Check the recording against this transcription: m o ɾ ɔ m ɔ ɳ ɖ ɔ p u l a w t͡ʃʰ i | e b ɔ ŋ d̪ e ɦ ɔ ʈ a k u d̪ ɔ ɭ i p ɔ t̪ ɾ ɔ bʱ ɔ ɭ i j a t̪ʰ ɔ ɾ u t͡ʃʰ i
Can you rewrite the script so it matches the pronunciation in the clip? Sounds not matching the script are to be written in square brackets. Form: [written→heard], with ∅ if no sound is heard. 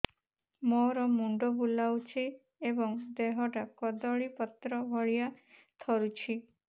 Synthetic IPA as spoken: m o ɾ ɔ m [ɔ→u] ɳ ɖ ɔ [p→b] u l a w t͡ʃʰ i | e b ɔ ŋ d̪ e ɦ ɔ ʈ a k [u→ɔ] d̪ ɔ ɭ i p ɔ t̪ ɾ ɔ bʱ ɔ ɭ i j a t̪ʰ ɔ ɾ u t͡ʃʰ i